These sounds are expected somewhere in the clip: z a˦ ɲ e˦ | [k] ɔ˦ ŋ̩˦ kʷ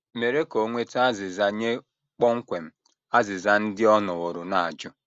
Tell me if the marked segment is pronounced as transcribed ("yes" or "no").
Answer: no